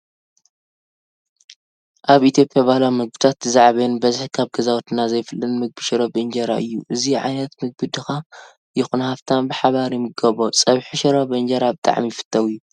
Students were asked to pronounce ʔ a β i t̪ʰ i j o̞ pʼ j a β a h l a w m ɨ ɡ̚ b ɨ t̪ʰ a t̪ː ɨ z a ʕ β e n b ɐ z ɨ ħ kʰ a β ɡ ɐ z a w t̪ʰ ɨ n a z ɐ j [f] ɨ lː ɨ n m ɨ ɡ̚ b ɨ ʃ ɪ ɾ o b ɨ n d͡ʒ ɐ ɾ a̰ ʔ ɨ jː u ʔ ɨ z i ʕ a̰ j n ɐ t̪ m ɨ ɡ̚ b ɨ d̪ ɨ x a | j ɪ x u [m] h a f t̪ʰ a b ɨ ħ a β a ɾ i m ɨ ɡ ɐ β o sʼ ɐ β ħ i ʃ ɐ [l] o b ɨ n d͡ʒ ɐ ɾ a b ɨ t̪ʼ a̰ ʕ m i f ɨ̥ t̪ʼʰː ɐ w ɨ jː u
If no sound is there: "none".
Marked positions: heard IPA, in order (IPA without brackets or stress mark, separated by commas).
f, n, ɾ